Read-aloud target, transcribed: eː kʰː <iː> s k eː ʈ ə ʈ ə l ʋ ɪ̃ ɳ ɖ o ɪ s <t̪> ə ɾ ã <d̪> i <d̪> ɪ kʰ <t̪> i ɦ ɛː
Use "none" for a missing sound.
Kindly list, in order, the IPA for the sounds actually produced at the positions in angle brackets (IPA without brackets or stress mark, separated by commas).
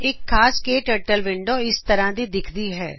aː, t̪, d̪, d̪, d̪